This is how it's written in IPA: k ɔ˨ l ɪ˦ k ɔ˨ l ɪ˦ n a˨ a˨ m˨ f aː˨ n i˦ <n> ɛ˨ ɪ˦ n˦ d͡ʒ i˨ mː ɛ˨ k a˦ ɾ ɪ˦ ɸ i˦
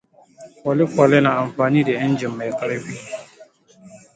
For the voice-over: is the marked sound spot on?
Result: no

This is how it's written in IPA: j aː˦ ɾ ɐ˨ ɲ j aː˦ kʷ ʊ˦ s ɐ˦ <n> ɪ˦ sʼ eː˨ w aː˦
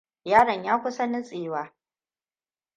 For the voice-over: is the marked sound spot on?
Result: yes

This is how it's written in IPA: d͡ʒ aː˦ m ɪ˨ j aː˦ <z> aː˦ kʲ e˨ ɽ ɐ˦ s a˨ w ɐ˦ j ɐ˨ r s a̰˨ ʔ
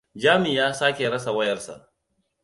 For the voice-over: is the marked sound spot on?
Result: no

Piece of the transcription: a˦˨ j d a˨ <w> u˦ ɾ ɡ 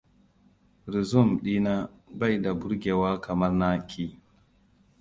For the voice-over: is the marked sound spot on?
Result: no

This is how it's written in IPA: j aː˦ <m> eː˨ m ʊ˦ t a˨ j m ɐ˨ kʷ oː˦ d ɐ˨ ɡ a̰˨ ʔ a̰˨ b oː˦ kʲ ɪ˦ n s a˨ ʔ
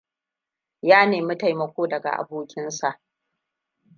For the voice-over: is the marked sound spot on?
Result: no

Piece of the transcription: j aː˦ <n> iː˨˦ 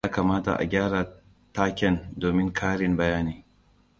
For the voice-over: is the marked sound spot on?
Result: yes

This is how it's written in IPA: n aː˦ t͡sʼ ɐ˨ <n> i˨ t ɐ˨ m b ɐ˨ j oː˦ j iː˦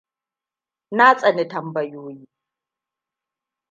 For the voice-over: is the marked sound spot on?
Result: yes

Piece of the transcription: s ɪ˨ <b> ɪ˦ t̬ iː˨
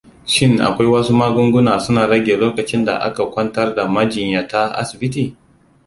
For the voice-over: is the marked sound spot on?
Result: yes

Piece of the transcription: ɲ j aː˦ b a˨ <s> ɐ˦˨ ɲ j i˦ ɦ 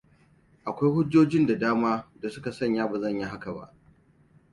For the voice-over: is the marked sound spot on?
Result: no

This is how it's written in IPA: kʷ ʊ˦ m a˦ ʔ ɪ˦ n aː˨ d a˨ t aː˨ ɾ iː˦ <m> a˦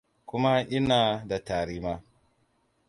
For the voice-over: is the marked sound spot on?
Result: yes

